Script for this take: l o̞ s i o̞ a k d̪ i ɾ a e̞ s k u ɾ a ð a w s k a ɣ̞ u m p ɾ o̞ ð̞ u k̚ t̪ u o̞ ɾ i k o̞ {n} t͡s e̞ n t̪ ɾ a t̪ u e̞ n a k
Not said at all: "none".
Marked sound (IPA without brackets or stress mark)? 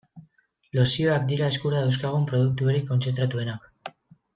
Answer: n